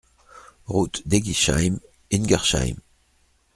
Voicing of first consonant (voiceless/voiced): voiced